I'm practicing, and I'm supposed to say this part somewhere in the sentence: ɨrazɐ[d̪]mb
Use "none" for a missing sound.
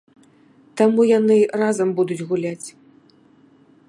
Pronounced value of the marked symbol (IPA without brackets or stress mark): none